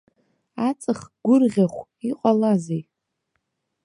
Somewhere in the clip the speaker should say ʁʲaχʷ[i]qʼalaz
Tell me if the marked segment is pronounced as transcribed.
yes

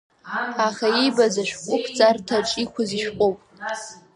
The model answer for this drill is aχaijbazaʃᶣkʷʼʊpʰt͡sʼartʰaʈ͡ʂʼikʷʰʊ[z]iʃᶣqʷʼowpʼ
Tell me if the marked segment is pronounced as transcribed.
yes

